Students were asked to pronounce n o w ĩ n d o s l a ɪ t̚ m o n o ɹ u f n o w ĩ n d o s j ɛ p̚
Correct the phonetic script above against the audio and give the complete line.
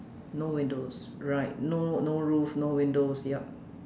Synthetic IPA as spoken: n o w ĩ n d o s ɹ a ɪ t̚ n o n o ɹ u f n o w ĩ n d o s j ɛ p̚

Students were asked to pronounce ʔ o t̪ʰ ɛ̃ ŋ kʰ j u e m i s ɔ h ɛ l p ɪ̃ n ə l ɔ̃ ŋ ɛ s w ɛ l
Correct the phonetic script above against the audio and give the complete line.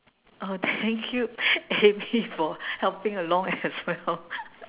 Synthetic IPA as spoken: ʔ o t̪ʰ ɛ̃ ŋ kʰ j u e m i f ɔ h ɛ l p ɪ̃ ŋ ə l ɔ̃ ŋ ɛ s w ɛ l

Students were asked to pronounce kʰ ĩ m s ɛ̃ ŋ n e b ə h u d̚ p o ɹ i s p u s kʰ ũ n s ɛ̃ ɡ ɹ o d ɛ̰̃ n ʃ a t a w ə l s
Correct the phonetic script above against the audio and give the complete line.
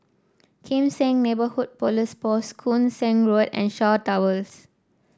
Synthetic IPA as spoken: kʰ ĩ m s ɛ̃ ŋ n e b ə h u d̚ p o l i s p ɔ s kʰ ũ n s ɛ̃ ŋ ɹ o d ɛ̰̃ n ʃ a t a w ə l s

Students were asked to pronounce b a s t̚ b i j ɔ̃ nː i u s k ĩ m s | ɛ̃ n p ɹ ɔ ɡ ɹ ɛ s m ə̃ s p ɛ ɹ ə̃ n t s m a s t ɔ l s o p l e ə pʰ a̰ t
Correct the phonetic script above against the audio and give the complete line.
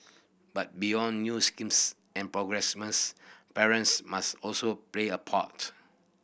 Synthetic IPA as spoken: b a t̚ b i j ɔ̃ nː j u s k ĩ m s | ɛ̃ n p ɹ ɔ ɡ ɹ ɛ s m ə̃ s p ɛ ɹ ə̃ n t s m a s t ɔ l s o p l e ə pʰ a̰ t

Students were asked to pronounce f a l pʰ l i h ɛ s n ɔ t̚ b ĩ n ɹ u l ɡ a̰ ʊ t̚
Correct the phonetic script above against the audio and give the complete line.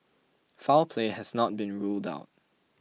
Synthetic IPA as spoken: f a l pʰ l e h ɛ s n ɔ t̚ b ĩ n ɹ u l d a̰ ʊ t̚

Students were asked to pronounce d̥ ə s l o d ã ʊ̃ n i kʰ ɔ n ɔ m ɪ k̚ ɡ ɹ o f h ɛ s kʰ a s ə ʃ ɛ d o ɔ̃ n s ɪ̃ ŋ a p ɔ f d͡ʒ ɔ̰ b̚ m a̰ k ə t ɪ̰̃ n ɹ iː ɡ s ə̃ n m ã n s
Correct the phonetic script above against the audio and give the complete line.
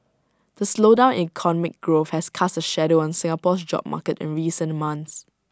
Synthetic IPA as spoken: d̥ ə s l o d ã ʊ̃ n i kʰ ɔ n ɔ m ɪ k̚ ɡ ɹ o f h ɛ s kʰ a s ə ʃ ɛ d o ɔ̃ n s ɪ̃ ŋ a p ɔ s d͡ʒ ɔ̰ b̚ m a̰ k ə t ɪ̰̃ n ɹ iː s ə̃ n m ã n s

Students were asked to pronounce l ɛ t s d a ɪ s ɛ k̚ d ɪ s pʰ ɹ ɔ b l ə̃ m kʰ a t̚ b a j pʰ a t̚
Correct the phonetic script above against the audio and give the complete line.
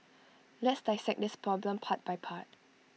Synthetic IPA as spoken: l ɛ t s d a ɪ s ɛ k̚ d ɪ s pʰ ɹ ɔ b l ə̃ m pʰ a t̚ b a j pʰ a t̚

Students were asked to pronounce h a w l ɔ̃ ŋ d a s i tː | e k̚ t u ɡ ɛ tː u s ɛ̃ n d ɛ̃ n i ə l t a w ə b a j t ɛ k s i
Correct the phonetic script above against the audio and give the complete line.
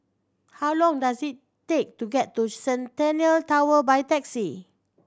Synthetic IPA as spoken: h a w l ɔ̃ ŋ d a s i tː | e k̚ t u ɡ ɛ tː u s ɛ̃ n t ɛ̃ n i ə l t a w ə b a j t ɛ k s i

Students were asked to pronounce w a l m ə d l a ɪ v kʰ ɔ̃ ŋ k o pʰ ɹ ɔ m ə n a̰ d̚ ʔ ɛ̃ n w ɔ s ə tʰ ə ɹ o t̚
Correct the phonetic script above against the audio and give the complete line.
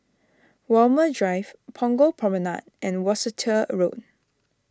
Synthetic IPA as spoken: w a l m ə d ɹ a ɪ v pʰ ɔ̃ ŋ ɡ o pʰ ɹ ɔ m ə n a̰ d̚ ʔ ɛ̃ n w ɔ s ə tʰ ə ɹ o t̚

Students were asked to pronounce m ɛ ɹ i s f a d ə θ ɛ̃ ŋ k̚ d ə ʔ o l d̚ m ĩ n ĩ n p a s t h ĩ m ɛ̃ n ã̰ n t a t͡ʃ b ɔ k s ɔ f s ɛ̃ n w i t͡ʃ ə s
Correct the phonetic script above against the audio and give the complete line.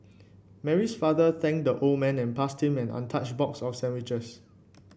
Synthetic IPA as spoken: m ɛ ɹ i s f a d ə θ ɛ̃ ŋ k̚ d ə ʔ o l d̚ m ɛ̃ n ɛ̃ n p a s t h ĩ m ɛ̃ n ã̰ n tʰ a t͡ʃ b ɔ k s ɔ f s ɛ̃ n w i t͡ʃ ə s

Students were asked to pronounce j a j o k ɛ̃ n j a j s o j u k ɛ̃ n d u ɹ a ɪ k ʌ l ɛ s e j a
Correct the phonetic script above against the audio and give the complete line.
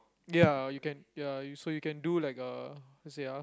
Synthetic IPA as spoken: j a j u k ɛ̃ n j a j s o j u k ɛ̃ n d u l a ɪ k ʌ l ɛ s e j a

